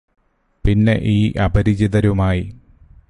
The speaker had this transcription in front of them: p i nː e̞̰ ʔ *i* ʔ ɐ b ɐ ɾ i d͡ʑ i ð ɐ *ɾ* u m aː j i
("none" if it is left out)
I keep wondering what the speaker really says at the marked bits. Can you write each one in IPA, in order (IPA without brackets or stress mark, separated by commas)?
iː, ɾ